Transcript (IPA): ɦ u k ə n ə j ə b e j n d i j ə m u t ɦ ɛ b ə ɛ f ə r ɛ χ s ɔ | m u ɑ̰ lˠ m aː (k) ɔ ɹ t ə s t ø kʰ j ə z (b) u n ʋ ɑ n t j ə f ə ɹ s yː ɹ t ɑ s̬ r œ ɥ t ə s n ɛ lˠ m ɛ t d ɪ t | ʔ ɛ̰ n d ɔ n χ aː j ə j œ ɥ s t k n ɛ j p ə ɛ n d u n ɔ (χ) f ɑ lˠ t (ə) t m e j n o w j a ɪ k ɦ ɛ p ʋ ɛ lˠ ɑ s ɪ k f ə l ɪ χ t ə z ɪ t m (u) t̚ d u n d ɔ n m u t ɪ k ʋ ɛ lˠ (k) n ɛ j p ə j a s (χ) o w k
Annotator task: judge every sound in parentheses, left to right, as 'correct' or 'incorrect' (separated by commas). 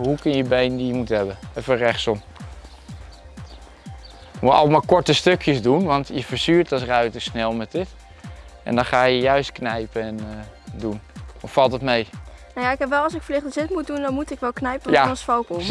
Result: correct, incorrect, incorrect, correct, correct, correct, incorrect